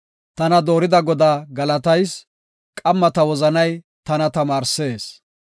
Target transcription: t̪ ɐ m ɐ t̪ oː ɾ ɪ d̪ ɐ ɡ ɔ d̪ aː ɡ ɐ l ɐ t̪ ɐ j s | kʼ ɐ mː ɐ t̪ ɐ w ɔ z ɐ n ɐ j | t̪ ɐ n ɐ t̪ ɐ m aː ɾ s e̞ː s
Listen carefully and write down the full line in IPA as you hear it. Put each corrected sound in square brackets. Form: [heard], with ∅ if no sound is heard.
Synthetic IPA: t̪ ɐ [n] ɐ [d̪] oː ɾ ɪ d̪ ɐ ɡ ɔ d̪ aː ɡ ɐ l ɐ t̪ ɐ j s | kʼ ɐ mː ɐ t̪ ɐ w ɔ z ɐ n ɐ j | t̪ ɐ n ɐ t̪ ɐ m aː ɾ s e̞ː s